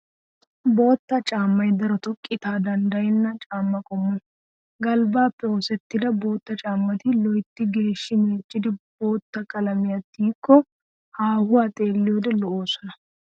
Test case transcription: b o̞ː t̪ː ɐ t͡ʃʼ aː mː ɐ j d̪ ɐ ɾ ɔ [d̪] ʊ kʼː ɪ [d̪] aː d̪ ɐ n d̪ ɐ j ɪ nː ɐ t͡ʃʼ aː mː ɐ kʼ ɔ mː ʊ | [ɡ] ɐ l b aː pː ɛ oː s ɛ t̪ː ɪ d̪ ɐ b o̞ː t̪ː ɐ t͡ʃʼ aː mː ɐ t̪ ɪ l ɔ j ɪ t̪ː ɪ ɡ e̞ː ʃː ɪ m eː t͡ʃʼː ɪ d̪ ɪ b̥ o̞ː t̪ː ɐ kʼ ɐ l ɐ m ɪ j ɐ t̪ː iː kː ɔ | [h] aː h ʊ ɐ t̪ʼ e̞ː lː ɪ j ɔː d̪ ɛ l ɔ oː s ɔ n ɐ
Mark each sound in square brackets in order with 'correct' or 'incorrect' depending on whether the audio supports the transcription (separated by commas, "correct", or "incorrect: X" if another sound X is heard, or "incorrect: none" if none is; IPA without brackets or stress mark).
incorrect: t̪, incorrect: t̪, correct, correct